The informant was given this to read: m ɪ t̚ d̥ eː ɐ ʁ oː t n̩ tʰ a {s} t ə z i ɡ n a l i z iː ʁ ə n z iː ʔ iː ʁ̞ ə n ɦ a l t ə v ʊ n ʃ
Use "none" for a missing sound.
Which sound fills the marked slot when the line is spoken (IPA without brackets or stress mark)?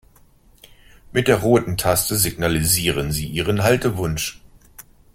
s